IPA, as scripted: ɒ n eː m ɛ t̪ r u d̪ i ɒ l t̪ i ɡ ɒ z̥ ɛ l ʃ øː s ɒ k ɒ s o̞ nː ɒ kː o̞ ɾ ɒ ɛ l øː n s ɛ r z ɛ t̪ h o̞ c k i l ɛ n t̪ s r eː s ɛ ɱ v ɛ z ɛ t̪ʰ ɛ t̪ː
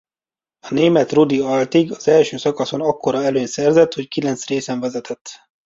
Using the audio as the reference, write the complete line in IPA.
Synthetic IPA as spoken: ɒ n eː m ɛ t̪ r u d̪ i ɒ l t̪ i ɡ ɒ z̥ ɛ l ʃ øː s ɒ k ɒ s o̞ n ɒ kː o̞ ɾ ɒ ɛ l øː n s ɛ r z ɛ t̪ h o̞ c k i l ɛ n t̪ s r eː s ɛ ɱ v ɛ z ɛ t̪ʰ ɛ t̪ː